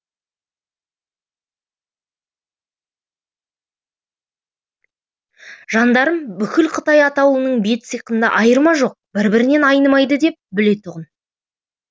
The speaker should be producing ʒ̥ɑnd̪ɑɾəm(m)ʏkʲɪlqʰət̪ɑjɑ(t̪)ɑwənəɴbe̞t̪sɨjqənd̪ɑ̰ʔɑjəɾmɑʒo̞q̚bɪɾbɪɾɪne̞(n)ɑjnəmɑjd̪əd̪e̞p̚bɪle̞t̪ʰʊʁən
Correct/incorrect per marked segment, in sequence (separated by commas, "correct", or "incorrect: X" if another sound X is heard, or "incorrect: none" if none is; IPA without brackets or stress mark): incorrect: b, correct, correct